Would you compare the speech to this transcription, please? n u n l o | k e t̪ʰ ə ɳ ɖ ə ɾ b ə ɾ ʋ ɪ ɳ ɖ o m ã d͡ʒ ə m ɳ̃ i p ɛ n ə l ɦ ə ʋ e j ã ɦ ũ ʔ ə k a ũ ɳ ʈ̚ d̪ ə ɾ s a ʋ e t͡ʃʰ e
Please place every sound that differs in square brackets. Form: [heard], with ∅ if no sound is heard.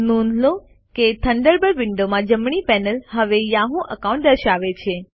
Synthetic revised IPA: n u n l o | k e t̪ʰ ə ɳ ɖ ə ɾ b ə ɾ ʋ ɪ ɳ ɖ o m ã d͡ʒ ə m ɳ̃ i p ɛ n ə l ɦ ə ʋ e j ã ɦ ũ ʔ ə k a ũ ɳ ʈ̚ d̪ ə ɾ [ʃ] a ʋ e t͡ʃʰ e